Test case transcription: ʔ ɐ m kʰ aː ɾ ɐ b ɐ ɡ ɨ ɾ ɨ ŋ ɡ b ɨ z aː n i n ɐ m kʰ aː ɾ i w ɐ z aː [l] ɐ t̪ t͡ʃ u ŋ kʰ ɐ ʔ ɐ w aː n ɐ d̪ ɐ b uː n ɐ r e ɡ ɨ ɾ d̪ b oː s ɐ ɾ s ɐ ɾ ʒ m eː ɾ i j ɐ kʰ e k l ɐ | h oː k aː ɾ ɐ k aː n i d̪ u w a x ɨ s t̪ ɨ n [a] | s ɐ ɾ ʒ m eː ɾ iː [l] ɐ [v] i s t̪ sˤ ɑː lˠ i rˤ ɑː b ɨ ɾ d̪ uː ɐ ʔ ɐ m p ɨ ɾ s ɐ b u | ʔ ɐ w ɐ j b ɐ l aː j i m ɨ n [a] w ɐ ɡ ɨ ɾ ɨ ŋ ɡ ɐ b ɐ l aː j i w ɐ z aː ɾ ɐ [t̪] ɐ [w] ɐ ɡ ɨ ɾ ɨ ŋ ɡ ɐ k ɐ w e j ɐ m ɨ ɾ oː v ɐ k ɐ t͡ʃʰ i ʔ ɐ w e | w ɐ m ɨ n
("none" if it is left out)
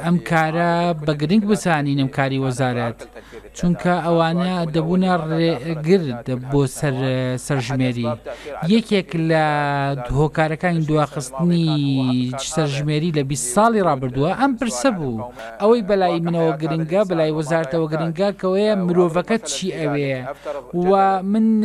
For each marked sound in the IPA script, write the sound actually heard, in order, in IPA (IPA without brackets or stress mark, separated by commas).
ɾ, i, l, b, ɐ, t̪, w